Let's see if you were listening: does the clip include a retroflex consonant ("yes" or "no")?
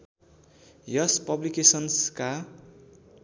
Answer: no